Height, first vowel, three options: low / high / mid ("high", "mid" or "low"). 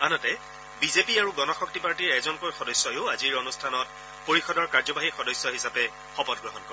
low